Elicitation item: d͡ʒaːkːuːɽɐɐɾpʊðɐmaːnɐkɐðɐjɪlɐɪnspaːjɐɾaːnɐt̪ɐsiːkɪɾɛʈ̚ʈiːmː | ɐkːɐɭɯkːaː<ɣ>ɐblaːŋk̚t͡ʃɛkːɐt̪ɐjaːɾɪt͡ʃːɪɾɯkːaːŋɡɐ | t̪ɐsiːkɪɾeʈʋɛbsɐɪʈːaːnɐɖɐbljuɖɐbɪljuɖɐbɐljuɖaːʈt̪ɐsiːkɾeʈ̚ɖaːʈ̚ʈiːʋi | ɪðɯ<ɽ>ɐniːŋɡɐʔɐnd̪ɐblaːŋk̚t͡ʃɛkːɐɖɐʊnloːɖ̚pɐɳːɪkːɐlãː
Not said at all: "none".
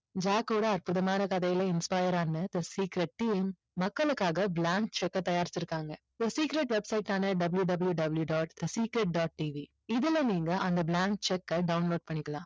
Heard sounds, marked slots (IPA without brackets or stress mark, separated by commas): ɣ, l